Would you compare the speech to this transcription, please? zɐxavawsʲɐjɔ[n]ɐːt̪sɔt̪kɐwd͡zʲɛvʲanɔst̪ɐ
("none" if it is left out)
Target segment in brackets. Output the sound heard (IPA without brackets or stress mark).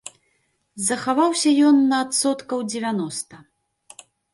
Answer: nː